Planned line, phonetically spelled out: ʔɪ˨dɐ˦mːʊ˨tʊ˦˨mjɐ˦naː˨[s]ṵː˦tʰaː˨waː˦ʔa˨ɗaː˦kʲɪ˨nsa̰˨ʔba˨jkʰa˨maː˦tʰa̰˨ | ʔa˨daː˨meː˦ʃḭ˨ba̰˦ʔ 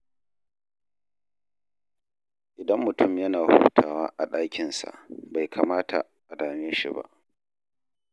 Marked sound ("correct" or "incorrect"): incorrect